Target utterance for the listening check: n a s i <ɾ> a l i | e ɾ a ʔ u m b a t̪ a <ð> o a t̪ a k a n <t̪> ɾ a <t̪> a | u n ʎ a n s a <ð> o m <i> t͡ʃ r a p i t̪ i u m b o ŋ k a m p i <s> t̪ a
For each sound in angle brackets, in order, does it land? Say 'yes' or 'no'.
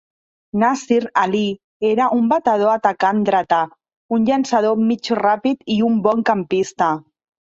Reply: yes, yes, no, yes, yes, yes, yes

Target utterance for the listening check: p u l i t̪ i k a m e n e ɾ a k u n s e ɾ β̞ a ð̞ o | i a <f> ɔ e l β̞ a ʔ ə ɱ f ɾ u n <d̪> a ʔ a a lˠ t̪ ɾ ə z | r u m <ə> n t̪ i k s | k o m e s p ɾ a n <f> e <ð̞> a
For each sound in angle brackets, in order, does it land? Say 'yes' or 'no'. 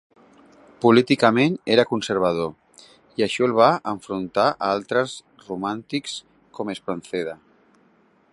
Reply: no, no, no, no, yes

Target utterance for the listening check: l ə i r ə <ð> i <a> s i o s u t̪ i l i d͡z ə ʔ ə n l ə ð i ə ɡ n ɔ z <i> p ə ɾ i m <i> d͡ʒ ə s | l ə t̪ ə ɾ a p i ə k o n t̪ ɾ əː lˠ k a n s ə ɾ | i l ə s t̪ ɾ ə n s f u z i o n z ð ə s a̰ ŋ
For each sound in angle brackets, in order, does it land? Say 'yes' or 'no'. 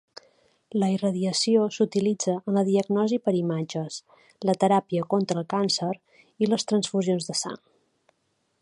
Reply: yes, no, yes, no

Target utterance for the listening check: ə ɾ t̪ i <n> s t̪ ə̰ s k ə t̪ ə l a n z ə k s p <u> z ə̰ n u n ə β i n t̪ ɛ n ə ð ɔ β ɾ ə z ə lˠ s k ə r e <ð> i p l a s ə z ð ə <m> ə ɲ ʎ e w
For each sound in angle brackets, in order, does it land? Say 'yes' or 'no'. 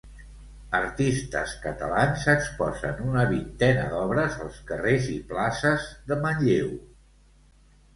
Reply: no, no, no, yes

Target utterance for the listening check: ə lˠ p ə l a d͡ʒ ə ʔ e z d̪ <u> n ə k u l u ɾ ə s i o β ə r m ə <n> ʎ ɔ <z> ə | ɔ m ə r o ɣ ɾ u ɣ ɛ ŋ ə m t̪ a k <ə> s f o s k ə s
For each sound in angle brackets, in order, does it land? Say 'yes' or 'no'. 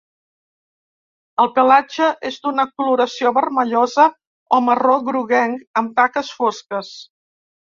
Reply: yes, no, yes, yes

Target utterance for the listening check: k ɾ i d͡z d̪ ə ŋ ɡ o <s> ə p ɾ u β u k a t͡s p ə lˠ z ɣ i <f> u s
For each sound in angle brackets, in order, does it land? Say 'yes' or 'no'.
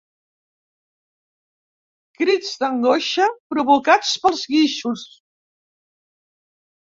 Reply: no, no

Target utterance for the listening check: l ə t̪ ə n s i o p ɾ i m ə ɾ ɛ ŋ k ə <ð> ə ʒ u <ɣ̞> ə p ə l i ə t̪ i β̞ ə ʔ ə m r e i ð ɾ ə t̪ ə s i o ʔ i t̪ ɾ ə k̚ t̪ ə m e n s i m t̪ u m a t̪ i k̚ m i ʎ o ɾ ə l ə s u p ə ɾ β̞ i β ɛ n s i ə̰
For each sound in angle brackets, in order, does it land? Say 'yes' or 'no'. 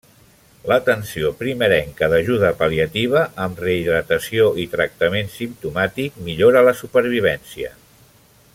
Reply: yes, no

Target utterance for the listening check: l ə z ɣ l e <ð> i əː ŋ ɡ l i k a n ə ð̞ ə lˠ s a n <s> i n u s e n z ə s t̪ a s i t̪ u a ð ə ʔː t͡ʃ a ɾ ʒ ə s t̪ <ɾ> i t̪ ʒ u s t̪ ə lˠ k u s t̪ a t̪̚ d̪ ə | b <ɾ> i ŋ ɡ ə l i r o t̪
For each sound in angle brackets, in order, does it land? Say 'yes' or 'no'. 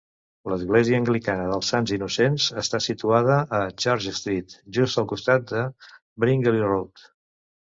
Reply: no, no, yes, yes

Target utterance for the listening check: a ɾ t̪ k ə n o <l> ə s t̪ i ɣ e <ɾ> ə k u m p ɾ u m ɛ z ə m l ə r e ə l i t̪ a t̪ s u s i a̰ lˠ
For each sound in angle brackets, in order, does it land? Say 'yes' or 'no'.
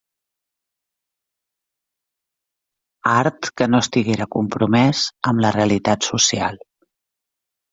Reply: no, yes

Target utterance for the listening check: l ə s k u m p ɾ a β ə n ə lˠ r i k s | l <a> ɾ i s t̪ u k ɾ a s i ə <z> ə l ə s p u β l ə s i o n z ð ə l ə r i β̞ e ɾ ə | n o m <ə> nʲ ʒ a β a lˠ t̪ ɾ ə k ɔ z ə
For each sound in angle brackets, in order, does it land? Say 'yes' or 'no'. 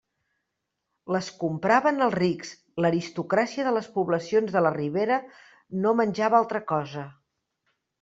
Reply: no, no, yes

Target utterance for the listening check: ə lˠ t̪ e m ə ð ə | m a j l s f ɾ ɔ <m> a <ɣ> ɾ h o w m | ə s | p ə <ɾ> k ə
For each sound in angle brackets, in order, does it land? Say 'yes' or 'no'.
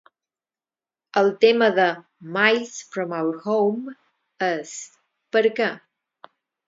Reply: yes, no, yes

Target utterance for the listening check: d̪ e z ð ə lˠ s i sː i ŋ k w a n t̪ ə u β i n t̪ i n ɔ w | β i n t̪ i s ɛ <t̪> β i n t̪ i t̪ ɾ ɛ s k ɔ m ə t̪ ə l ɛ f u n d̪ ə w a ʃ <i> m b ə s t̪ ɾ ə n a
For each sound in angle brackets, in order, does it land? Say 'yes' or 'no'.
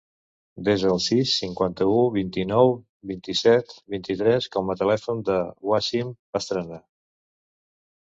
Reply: yes, yes

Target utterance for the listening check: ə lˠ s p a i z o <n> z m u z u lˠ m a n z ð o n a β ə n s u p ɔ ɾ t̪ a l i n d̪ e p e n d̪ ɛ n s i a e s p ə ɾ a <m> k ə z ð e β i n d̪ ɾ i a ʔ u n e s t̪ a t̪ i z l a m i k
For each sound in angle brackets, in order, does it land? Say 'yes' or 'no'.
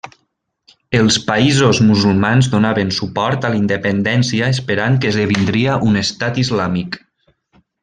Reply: no, no

